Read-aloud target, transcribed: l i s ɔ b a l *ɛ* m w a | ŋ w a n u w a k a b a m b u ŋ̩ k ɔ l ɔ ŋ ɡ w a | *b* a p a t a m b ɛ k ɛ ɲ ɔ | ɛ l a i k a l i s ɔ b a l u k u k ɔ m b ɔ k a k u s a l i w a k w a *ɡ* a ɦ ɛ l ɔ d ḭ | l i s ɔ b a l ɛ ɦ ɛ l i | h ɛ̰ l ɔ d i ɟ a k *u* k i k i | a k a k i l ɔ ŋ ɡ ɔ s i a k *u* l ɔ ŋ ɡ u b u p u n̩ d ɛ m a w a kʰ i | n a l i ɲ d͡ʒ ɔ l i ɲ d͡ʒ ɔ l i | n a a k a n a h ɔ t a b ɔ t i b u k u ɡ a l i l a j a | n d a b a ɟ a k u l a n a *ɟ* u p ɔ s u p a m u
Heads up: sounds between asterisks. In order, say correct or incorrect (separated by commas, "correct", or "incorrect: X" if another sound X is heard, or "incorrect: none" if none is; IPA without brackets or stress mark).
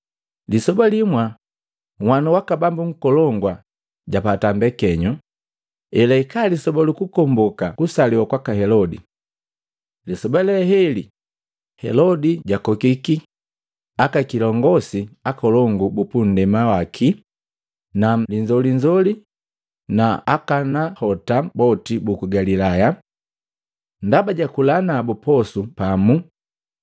incorrect: i, incorrect: ɟ, incorrect: k, incorrect: ɔ, incorrect: ɔ, incorrect: b